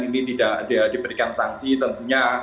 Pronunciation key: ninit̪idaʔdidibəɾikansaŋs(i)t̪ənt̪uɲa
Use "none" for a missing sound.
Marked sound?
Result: i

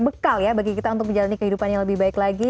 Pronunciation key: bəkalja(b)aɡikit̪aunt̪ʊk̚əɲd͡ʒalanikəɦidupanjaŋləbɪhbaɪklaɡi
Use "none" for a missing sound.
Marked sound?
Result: b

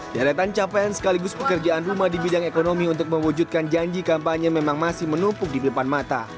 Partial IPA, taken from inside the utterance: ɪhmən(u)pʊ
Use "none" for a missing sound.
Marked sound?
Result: u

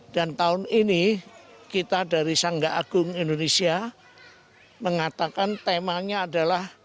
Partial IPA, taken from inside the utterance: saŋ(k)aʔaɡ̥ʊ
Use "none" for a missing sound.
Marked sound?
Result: ɡ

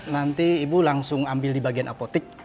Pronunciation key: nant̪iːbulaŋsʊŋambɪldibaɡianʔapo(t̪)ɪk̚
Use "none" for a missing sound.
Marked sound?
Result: t̪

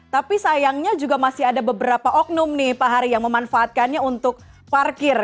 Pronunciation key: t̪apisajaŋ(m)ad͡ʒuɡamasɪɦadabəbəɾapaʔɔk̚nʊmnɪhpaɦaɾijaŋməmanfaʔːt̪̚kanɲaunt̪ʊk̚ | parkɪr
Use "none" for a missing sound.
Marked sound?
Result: ɲ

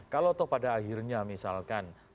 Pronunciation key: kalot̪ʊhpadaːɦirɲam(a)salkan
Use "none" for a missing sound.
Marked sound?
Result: i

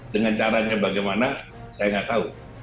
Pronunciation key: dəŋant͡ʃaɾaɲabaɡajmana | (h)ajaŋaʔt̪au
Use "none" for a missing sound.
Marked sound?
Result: s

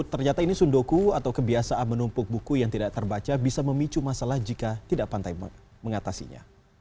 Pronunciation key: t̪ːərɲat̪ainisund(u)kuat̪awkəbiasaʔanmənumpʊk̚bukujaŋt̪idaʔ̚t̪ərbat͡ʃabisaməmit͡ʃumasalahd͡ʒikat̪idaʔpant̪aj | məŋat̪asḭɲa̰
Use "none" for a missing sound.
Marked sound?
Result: o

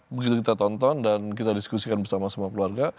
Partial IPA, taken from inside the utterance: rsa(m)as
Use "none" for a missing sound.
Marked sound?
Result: m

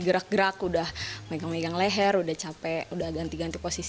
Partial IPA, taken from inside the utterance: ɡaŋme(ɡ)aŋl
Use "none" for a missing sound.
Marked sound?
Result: ɡ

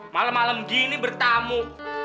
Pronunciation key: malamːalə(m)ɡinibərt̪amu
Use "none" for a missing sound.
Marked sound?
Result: m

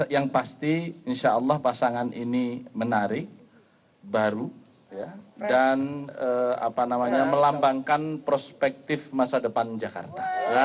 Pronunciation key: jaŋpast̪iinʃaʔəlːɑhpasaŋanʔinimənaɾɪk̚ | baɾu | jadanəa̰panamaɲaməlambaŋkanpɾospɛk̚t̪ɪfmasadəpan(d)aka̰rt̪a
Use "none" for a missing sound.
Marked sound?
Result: d͡ʒ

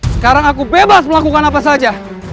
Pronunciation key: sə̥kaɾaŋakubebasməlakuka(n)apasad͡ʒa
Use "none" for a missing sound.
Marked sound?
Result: n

